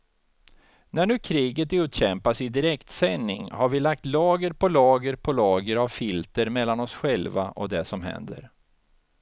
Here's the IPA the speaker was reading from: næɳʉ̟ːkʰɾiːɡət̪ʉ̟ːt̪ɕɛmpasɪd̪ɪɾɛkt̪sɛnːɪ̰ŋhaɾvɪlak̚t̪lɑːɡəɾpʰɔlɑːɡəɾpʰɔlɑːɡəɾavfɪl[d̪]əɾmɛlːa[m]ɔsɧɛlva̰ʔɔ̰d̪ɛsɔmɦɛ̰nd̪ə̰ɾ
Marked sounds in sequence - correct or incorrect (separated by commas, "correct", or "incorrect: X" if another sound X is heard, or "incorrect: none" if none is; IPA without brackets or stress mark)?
incorrect: t̪, incorrect: n